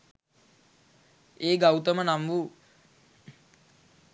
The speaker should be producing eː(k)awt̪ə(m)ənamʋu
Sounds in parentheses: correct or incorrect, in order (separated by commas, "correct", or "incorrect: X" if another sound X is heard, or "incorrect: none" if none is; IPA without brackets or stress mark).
incorrect: ɡ, correct